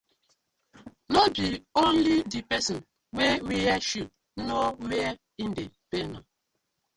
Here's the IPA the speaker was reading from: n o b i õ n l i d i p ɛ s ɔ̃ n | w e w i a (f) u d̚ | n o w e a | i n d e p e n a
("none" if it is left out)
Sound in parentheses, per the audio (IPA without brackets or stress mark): ʃ